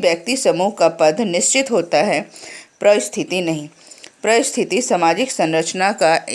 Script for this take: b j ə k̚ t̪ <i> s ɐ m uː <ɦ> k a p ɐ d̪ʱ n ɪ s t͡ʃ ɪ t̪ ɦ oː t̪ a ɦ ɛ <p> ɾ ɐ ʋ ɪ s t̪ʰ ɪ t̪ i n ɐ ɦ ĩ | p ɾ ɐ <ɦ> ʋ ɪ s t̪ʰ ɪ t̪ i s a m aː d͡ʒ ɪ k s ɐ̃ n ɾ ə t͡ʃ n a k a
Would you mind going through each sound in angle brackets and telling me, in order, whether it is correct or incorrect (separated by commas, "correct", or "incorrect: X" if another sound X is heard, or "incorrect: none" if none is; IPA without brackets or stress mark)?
correct, correct, correct, incorrect: none